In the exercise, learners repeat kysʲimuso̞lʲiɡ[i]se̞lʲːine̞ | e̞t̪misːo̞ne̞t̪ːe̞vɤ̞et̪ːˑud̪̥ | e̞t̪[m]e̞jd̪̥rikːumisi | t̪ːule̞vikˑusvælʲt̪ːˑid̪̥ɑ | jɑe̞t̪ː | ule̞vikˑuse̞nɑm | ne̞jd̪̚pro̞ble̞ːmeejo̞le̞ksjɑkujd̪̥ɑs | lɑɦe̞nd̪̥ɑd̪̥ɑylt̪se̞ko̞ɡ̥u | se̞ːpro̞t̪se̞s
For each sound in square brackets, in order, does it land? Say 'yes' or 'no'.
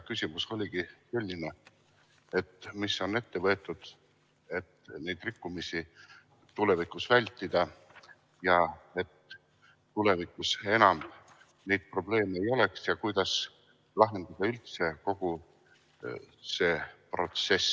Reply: yes, no

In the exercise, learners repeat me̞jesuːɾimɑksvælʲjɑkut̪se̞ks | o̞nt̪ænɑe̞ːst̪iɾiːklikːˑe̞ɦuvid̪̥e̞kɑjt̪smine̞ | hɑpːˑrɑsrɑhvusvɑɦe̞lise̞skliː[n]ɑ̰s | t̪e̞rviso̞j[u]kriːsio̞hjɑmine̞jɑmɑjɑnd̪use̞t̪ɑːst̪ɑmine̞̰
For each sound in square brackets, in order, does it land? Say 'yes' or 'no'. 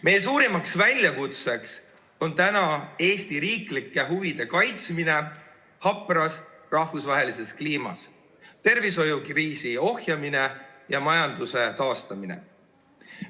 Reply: no, yes

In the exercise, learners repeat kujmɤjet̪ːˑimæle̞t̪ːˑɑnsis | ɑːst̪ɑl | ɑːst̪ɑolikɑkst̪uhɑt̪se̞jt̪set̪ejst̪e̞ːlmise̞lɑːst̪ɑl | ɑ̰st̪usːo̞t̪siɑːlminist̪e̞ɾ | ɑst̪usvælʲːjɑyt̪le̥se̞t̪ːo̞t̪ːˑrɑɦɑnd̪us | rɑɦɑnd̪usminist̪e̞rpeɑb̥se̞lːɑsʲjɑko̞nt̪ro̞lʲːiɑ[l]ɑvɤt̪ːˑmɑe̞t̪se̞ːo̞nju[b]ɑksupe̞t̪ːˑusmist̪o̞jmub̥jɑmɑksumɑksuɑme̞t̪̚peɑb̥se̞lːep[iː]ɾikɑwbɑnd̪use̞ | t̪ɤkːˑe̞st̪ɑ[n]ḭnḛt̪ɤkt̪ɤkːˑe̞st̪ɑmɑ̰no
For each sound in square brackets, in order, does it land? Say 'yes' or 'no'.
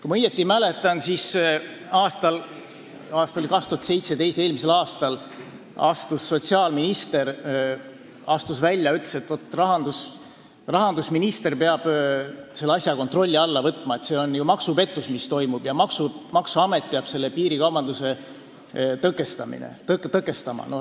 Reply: no, no, yes, no

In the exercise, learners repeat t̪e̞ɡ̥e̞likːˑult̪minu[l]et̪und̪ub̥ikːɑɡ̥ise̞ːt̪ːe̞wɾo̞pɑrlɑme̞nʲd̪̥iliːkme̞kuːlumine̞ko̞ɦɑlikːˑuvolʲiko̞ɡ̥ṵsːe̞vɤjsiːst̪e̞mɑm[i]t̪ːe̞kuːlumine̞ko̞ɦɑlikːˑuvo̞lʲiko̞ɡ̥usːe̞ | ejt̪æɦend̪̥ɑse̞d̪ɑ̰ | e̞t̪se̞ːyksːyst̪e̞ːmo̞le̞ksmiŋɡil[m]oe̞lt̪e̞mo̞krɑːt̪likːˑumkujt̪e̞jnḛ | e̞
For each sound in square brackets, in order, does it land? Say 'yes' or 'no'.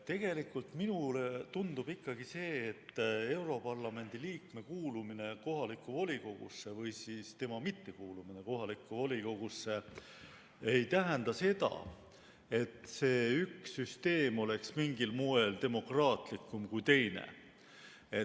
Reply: yes, yes, yes

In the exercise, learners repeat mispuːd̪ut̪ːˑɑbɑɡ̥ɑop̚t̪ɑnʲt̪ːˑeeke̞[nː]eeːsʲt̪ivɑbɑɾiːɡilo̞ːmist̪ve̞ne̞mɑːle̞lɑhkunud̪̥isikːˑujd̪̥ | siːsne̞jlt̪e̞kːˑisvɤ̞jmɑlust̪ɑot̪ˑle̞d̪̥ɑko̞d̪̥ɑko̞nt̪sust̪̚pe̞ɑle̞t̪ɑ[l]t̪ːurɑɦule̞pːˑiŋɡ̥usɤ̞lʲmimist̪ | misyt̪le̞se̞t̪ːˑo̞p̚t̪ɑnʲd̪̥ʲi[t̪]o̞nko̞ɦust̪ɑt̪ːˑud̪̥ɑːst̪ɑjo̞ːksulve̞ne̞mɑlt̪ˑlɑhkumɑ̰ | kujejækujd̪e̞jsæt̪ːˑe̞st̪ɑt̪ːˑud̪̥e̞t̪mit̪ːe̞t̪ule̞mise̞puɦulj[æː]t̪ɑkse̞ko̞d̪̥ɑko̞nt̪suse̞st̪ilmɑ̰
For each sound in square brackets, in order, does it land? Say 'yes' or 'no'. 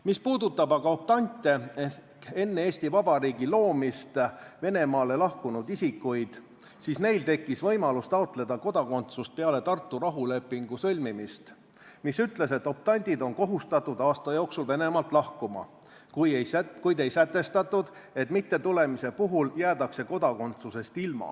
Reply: yes, no, no, yes

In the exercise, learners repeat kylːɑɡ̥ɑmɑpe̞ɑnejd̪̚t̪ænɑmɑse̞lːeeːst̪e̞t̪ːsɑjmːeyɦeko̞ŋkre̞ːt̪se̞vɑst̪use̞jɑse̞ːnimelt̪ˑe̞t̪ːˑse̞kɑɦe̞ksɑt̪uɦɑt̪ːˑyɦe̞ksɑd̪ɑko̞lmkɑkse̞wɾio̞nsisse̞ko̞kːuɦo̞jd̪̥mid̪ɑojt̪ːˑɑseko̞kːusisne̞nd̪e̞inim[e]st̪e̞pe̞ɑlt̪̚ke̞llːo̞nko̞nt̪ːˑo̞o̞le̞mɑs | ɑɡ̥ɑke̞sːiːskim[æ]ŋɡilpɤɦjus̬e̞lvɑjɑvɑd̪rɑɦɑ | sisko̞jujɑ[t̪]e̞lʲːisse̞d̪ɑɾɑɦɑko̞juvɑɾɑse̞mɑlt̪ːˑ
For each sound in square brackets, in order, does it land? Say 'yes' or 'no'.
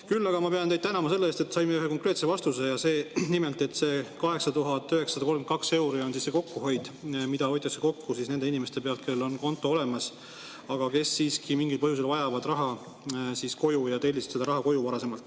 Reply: yes, no, yes

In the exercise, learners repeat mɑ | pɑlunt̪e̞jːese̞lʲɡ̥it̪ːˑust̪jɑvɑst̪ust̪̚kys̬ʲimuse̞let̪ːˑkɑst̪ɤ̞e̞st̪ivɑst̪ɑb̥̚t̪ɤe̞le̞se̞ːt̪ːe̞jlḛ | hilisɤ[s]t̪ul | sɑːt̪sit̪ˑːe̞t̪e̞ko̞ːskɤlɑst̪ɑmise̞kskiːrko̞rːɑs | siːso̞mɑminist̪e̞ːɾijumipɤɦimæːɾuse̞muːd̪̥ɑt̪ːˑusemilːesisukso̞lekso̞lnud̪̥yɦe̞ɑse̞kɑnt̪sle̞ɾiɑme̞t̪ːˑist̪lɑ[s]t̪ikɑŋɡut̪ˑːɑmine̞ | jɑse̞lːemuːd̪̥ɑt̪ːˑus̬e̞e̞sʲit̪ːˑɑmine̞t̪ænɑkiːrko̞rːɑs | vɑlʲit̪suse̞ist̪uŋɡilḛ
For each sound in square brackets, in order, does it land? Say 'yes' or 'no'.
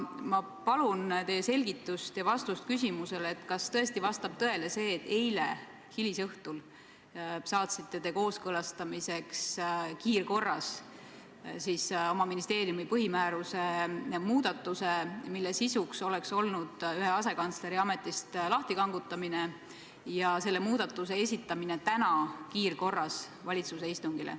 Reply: no, no

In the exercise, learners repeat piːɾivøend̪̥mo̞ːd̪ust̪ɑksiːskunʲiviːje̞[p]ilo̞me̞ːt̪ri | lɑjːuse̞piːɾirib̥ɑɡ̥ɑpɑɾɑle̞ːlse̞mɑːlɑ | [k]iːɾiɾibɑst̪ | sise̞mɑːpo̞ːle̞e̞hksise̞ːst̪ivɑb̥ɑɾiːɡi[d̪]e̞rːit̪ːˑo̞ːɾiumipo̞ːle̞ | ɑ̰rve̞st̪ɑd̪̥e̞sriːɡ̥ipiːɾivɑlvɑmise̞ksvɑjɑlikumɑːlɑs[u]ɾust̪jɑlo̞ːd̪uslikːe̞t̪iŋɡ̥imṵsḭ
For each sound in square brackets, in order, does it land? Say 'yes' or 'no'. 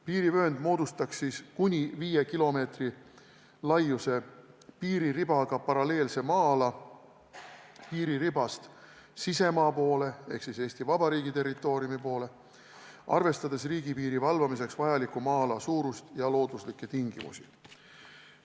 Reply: no, no, no, no

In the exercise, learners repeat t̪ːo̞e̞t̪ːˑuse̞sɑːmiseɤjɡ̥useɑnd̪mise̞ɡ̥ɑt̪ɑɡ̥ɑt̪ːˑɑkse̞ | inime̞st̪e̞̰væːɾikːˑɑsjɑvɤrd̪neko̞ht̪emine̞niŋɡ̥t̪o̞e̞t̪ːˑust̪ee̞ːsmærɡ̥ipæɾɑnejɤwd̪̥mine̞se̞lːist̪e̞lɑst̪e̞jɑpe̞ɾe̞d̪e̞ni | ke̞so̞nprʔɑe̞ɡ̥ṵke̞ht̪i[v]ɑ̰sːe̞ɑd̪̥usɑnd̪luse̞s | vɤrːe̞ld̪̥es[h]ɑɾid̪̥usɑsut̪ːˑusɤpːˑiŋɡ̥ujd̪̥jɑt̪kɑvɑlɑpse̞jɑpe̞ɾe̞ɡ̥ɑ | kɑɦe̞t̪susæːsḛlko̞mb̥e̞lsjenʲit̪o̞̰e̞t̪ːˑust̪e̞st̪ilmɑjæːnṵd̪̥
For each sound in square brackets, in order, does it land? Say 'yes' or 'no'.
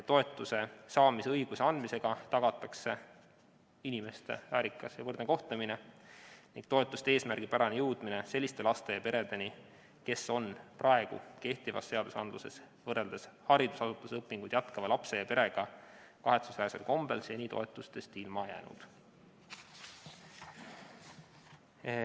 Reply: yes, yes

